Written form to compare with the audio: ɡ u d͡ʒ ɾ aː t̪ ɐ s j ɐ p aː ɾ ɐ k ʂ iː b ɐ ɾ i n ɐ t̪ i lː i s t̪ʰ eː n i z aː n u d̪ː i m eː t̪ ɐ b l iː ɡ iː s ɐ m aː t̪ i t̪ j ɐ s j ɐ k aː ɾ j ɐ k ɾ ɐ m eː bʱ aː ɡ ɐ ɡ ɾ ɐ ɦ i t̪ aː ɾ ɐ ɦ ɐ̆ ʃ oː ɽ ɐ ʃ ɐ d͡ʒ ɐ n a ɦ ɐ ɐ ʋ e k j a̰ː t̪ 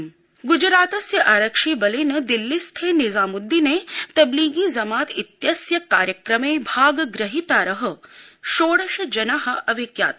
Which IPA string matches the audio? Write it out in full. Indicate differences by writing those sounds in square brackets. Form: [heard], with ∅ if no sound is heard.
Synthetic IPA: ɡ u d͡ʒ ɾ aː t̪ ɐ s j ɐ [ʔ] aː ɾ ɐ k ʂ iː b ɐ [l] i n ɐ [d̪] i lː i s t̪ʰ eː n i z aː [m] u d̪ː i [n] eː t̪ ɐ b l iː ɡ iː [z] ɐ m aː t̪ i t̪ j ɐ s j ɐ k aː ɾ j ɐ k ɾ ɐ m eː bʱ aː ɡ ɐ ɡ ɾ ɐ ɦ i t̪ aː ɾ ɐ ɦ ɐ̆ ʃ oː ɽ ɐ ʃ ɐ d͡ʒ ɐ n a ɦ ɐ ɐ ʋ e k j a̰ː t̪